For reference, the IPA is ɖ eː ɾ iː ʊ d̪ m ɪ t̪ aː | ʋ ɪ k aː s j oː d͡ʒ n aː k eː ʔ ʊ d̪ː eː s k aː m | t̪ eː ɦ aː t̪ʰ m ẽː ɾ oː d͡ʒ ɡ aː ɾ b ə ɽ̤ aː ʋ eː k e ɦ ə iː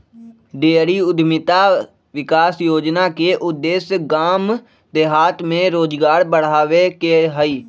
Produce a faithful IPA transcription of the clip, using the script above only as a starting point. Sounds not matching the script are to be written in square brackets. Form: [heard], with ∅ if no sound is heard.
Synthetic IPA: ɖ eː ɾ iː ʊ d̪ m ɪ t̪ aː | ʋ ɪ k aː s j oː d͡ʒ n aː k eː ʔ ʊ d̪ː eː s [ɡ] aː m | [d̪] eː ɦ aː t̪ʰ m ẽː ɾ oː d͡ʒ ɡ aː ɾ b ə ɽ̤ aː ʋ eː k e ɦ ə iː